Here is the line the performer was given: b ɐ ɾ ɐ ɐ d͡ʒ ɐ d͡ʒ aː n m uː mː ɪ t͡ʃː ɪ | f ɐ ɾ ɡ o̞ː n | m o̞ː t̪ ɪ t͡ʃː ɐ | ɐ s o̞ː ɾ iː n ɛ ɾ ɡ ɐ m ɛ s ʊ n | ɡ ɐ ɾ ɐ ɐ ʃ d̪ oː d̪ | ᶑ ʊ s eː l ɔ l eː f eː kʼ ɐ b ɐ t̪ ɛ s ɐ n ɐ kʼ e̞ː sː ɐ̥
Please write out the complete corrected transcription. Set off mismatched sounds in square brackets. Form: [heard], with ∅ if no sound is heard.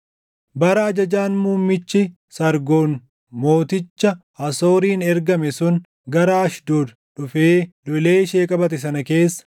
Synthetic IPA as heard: b ɐ ɾ ɐ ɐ d͡ʒ ɐ d͡ʒ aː n m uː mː ɪ t͡ʃː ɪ | [s] ɐ ɾ ɡ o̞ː n | m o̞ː t̪ ɪ t͡ʃː ɐ | ɐ s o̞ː ɾ iː n ɛ ɾ ɡ ɐ m ɛ s ʊ n | ɡ ɐ ɾ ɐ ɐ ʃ d̪ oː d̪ | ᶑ ʊ [f] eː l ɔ l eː [ʃ] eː kʼ ɐ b ɐ t̪ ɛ s ɐ n ɐ [k] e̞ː sː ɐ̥